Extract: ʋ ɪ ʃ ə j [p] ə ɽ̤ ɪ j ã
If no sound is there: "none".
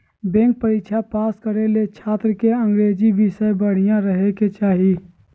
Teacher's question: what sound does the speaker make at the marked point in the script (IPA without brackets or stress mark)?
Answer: b